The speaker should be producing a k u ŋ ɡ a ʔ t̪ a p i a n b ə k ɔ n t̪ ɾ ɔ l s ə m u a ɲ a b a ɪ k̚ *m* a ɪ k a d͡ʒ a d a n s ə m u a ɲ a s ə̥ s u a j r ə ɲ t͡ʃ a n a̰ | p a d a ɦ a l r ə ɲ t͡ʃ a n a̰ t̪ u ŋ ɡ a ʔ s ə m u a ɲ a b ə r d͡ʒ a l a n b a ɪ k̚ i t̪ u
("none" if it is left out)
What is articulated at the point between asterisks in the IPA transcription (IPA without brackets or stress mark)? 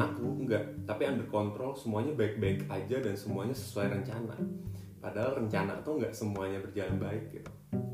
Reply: b